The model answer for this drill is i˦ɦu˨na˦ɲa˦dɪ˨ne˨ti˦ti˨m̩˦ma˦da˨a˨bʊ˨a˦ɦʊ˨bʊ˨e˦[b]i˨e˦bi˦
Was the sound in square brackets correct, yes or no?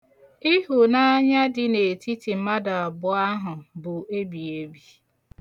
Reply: yes